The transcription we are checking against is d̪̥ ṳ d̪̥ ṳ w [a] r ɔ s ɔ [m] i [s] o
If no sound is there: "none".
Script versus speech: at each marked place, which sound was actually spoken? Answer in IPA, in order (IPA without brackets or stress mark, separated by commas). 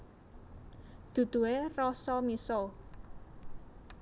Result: e, m, s